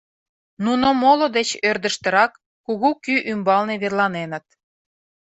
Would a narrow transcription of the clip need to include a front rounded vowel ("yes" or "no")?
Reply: yes